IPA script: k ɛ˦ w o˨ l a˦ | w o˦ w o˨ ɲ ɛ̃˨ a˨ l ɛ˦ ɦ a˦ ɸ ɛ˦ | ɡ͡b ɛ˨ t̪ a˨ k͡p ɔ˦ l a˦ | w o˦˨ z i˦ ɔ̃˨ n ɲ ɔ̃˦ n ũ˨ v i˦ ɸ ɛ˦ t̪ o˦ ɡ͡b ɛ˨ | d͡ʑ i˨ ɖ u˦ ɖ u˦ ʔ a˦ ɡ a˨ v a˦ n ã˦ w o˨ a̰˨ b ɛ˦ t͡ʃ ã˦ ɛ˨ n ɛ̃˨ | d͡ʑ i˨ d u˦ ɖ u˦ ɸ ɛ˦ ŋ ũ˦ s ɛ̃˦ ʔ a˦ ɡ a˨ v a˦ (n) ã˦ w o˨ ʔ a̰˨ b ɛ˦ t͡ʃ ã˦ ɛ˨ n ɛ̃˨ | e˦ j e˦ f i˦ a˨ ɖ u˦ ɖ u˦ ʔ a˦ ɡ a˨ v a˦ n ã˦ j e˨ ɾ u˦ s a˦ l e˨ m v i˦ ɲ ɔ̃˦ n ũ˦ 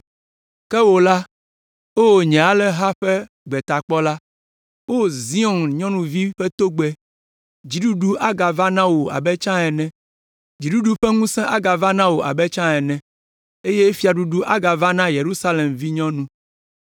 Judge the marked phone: correct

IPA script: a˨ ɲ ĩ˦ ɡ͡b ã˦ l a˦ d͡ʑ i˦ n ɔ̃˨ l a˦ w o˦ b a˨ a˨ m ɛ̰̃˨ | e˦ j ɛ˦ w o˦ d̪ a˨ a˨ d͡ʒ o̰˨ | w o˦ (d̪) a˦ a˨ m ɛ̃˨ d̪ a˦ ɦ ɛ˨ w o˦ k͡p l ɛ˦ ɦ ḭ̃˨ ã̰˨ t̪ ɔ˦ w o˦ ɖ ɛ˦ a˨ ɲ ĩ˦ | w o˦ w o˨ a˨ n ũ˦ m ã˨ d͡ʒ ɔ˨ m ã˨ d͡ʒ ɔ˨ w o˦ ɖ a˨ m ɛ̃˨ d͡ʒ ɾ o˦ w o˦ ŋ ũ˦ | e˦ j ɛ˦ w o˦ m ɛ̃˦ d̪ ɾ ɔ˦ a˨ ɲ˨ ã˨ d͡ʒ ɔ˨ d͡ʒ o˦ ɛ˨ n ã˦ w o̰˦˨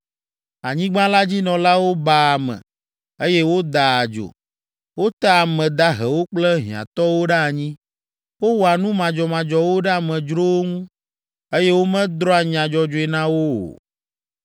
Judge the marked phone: incorrect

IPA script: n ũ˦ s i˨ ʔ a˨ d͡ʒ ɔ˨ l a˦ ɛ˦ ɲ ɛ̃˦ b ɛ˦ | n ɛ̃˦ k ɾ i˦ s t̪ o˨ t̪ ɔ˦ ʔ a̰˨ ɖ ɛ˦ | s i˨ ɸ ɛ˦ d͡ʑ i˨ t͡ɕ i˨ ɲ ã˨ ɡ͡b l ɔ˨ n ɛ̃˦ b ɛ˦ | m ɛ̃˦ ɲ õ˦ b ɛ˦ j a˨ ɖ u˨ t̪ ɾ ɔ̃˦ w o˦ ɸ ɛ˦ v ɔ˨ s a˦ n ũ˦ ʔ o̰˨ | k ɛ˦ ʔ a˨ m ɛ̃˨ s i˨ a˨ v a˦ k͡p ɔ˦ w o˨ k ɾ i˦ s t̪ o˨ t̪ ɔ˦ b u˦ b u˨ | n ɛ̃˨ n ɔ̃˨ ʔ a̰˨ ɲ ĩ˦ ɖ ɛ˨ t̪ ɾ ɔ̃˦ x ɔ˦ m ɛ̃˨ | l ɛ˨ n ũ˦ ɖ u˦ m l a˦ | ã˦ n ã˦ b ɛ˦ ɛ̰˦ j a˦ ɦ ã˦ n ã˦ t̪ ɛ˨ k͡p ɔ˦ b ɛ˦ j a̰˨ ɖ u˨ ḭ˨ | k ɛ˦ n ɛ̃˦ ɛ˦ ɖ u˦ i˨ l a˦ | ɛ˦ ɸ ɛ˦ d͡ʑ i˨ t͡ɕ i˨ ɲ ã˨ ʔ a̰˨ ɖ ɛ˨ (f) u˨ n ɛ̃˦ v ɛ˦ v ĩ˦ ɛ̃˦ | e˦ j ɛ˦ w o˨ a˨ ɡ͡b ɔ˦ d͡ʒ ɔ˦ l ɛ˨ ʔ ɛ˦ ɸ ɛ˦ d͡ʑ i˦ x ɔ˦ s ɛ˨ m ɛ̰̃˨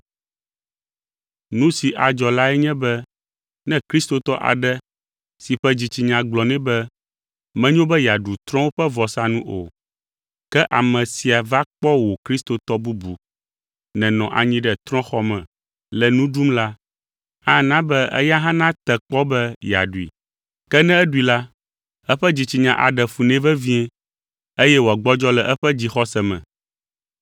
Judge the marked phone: correct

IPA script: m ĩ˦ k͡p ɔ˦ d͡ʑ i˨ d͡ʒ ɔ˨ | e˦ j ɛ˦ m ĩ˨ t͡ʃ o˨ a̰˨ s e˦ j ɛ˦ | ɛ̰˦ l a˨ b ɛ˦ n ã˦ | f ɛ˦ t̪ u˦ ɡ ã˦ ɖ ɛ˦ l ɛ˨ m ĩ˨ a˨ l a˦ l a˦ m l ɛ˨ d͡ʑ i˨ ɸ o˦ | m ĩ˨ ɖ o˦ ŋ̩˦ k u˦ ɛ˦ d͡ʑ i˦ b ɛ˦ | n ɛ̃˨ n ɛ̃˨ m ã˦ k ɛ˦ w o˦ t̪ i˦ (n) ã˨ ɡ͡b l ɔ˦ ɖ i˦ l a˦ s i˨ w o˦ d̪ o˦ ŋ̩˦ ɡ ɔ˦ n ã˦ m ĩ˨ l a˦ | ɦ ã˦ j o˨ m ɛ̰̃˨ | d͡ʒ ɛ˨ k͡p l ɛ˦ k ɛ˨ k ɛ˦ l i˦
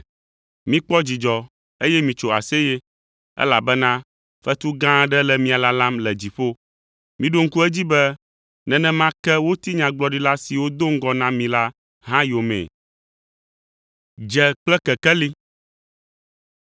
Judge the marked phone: incorrect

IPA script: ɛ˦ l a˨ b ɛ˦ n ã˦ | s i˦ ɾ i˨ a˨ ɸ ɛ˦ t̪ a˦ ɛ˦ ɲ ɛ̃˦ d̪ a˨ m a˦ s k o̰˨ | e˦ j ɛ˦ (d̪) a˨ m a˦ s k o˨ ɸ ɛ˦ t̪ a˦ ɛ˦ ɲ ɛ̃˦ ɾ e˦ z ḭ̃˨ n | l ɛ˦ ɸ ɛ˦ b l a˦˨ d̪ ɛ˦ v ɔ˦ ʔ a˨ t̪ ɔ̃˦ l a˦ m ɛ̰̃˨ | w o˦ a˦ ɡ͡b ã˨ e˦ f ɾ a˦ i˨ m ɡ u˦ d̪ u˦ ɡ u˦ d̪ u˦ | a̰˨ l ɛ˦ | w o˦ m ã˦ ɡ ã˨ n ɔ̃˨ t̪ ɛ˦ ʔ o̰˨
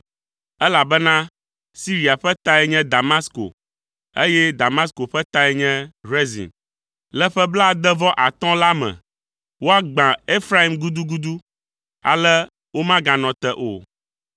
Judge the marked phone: correct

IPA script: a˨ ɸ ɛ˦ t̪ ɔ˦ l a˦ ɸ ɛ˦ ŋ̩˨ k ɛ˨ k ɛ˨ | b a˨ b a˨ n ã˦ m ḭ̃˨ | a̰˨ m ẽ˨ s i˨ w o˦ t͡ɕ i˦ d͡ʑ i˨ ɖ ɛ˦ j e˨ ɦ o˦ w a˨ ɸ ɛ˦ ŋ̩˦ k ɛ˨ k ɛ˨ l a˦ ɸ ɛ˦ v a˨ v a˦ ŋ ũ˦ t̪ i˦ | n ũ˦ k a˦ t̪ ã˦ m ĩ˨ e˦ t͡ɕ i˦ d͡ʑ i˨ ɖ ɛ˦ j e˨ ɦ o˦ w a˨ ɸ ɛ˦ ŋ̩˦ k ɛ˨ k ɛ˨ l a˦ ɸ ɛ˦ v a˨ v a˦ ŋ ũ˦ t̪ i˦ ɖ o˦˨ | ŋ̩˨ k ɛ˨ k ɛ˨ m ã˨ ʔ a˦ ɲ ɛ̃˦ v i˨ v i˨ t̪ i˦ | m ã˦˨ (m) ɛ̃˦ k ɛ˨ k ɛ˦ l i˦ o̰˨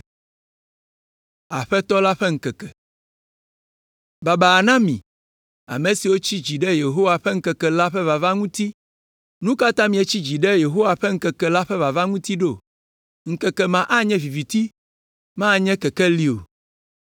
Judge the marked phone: incorrect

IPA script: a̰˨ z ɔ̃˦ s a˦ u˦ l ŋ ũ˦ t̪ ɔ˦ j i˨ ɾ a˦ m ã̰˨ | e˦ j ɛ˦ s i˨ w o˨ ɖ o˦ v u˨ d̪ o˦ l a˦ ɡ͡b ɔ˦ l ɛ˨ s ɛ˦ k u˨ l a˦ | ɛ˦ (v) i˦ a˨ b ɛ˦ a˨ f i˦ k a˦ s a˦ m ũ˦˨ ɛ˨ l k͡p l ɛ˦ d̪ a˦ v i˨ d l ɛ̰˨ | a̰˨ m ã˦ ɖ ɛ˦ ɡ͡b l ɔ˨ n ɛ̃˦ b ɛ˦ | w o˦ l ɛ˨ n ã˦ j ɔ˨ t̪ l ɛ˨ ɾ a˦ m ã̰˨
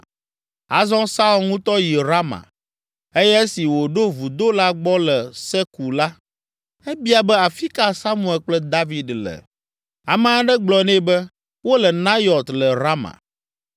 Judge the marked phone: incorrect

